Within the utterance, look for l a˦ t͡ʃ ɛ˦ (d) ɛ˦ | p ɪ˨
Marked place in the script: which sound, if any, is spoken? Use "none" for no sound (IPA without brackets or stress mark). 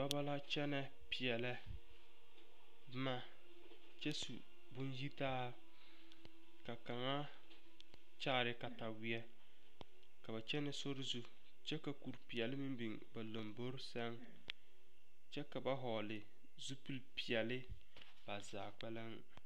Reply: n